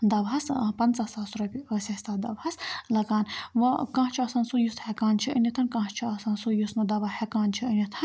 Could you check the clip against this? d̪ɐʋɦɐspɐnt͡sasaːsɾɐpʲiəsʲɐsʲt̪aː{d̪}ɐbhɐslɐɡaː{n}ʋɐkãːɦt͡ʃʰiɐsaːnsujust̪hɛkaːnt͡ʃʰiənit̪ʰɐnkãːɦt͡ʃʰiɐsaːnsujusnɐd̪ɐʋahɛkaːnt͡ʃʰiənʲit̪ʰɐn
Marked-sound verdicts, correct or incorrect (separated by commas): correct, correct